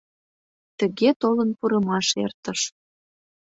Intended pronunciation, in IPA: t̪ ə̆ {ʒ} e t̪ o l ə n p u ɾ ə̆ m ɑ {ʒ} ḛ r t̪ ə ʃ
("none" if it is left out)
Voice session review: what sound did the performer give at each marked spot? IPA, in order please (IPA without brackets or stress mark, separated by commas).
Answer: ɣ, ʃ